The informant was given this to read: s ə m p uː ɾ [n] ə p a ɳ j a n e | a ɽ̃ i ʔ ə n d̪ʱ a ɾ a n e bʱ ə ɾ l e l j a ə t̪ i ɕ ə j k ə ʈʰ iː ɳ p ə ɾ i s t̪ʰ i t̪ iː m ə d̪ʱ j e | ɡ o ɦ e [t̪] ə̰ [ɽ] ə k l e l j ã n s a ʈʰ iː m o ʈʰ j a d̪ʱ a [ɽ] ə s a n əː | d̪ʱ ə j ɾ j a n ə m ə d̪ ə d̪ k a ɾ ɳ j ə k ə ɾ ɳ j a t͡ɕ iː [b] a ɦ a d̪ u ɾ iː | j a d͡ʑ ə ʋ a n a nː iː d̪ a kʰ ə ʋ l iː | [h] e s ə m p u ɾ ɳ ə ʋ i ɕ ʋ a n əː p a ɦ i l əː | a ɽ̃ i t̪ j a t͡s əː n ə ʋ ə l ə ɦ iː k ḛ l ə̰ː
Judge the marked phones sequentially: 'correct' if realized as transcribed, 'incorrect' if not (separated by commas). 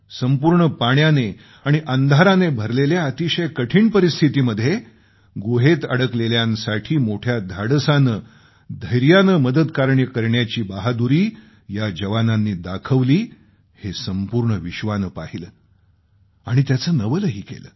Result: incorrect, correct, correct, correct, correct, correct